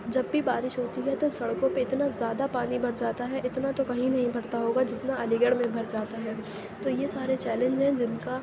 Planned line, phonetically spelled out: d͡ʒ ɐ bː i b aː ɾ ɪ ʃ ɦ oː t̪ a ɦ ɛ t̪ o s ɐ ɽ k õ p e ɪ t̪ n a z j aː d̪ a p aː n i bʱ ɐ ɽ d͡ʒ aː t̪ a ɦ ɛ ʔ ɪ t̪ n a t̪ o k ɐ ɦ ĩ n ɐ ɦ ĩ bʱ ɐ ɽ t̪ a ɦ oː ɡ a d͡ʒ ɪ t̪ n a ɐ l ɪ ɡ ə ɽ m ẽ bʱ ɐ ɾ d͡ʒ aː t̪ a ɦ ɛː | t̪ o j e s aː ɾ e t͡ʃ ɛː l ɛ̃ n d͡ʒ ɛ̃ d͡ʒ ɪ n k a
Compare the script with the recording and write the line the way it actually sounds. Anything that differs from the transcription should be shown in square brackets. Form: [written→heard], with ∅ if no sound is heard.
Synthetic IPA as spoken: d͡ʒ ɐ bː i b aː ɾ ɪ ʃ ɦ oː t̪ [a→i] ɦ ɛ t̪ o s ɐ ɽ k õ p e ɪ t̪ n a z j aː d̪ a p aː n i bʱ ɐ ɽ d͡ʒ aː t̪ a ɦ ɛ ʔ ɪ t̪ n a t̪ o k ɐ ɦ ĩ n ɐ ɦ ĩ bʱ ɐ ɽ t̪ a ɦ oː ɡ a d͡ʒ ɪ t̪ n a ɐ l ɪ ɡ ə ɽ m ẽ bʱ ɐ ɾ d͡ʒ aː t̪ a ɦ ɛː | t̪ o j e s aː ɾ e t͡ʃ ɛː l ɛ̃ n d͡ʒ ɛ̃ d͡ʒ ɪ n k a

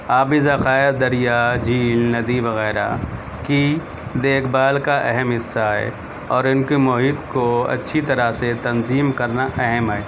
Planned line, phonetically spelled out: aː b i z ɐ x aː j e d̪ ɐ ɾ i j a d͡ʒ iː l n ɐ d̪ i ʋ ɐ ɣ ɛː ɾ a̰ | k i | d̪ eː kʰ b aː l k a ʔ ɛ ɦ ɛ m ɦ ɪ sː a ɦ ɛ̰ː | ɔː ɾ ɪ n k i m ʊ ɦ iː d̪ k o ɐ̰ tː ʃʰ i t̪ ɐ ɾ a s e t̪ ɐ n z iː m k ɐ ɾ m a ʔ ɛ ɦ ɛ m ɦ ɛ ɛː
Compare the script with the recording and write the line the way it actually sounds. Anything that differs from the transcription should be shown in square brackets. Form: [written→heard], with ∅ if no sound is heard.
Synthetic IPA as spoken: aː b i z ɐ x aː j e d̪ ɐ ɾ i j a d͡ʒ iː l n ɐ d̪ i ʋ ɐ ɣ ɛː ɾ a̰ | k i | d̪ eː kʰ b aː l k a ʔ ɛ ɦ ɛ m ɦ ɪ sː a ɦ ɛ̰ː | ɔː ɾ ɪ n k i m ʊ ɦ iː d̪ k o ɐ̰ tː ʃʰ i t̪ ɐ ɾ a s e t̪ ɐ n z iː m k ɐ ɾ [m→n] a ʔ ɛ ɦ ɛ m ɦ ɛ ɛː

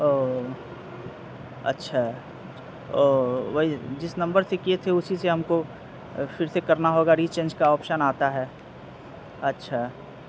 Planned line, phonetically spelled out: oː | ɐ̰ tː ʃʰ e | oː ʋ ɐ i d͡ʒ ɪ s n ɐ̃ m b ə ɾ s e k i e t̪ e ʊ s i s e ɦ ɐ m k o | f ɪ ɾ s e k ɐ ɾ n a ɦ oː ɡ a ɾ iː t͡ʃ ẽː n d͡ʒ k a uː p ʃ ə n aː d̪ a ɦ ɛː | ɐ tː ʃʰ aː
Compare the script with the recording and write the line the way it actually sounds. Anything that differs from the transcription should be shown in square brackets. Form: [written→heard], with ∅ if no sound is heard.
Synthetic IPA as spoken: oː | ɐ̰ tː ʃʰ [e→a] | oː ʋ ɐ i d͡ʒ ɪ s n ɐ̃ m b ə ɾ s e k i e [t̪→t̪ʰ] e ʊ s i s e ɦ ɐ m k o | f ɪ ɾ s e k ɐ ɾ n a ɦ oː ɡ a ɾ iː t͡ʃ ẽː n d͡ʒ k a [uː→ɔː] p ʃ ə n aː [d̪→t̪] a ɦ ɛː | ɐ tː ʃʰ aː

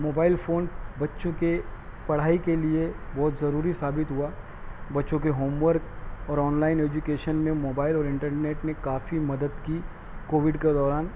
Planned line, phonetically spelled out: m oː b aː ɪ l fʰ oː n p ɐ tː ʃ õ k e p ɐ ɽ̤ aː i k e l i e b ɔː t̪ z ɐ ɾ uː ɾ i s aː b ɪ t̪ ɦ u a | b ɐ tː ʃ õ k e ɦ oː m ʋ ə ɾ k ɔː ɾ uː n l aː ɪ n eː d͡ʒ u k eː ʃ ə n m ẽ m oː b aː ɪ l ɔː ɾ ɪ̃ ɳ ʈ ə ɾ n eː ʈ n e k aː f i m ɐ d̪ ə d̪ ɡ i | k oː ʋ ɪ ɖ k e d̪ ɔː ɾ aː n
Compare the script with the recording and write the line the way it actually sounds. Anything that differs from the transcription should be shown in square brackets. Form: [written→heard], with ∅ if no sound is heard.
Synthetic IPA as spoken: m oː b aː ɪ l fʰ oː n [p→b] ɐ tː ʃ õ k e p ɐ ɽ̤ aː i k e l i e b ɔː t̪ z ɐ ɾ uː ɾ i s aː b ɪ t̪ ɦ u a | b ɐ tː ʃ õ k e ɦ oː m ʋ ə ɾ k ɔː ɾ [uː→ɔː] n l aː ɪ n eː d͡ʒ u k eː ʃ ə n m ẽ m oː b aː ɪ l ɔː ɾ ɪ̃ ɳ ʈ ə ɾ n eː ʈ n e k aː f i m ɐ d̪ ə d̪ [ɡ→k] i | k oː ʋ ɪ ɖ k e d̪ ɔː ɾ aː n

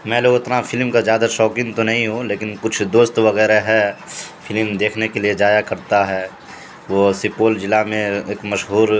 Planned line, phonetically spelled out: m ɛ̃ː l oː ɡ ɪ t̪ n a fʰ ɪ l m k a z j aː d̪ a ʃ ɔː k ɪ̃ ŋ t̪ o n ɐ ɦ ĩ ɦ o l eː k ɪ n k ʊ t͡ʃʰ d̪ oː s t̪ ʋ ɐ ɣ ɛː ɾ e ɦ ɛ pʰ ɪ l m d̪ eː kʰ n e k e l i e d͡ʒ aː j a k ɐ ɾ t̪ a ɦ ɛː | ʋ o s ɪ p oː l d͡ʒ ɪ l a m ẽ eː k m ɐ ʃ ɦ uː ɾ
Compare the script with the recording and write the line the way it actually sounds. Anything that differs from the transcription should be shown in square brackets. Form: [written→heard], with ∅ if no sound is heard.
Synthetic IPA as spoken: m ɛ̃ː l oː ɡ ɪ t̪ n a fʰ ɪ l m k a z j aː d̪ a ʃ ɔː k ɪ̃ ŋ t̪ o n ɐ ɦ ĩ ɦ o l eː k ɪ n k ʊ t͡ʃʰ d̪ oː s t̪ ʋ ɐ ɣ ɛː ɾ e ɦ ɛ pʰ ɪ l m d̪ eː kʰ n e k e l i e d͡ʒ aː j a k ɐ ɾ t̪ a ɦ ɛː | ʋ o s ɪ p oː l d͡ʒ ɪ l a m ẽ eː k m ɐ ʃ ɦ uː ɾ

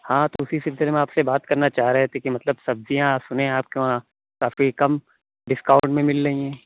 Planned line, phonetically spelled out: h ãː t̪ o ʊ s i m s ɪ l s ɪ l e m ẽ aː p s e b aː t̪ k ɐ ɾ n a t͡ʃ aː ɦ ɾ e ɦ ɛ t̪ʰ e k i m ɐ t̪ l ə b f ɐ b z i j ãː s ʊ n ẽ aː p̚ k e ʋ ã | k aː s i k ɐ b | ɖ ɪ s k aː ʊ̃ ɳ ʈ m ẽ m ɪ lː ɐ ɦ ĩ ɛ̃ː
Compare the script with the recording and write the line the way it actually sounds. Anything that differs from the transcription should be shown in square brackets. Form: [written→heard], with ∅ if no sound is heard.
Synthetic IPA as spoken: h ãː t̪ o ʊ s i [m→∅] s ɪ l s ɪ l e m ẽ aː p s e b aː t̪ k ɐ ɾ n a t͡ʃ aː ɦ ɾ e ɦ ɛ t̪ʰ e k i m ɐ t̪ l ə b [f→s] ɐ b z i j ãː s ʊ n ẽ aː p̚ k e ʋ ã | k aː [s→f] i k ɐ [b→m] | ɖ ɪ s k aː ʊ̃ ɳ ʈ m ẽ m ɪ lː ɐ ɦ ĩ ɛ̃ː

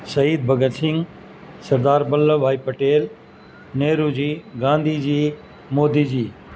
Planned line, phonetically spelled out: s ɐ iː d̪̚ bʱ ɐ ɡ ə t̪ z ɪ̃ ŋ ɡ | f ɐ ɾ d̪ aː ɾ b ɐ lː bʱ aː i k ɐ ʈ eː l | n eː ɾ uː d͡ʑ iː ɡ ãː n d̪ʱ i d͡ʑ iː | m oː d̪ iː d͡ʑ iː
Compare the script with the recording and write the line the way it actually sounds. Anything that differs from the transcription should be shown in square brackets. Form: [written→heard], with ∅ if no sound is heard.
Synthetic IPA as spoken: s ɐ iː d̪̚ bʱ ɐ ɡ ə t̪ [z→s] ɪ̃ ŋ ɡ | [f→s] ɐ ɾ d̪ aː ɾ b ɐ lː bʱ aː i [k→p] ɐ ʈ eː l | n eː ɾ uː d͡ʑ iː ɡ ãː n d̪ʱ i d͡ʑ iː | m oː d̪ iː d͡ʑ iː

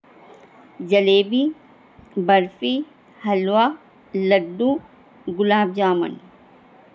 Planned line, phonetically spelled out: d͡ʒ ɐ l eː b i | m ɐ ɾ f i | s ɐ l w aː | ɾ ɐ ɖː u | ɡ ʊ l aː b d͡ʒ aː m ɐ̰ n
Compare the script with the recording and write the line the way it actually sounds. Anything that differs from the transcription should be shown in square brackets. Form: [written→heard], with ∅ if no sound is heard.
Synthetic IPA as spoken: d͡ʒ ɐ l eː b i | [m→b] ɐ ɾ f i | [s→h] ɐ l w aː | [ɾ→l] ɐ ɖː u | ɡ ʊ l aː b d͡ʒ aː m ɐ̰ n

